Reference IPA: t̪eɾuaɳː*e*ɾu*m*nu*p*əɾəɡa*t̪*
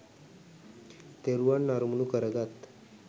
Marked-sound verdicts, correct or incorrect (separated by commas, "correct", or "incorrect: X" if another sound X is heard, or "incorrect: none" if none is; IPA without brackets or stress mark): incorrect: a, correct, incorrect: k, correct